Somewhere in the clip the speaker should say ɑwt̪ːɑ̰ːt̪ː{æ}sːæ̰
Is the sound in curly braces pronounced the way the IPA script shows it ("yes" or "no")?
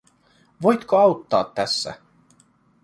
yes